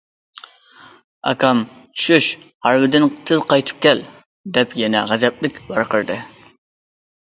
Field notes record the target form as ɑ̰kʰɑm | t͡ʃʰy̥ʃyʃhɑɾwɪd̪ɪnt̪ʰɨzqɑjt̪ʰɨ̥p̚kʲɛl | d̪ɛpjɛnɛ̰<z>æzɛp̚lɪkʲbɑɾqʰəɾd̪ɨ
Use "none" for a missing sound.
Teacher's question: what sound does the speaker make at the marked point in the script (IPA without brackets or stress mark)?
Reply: ʁ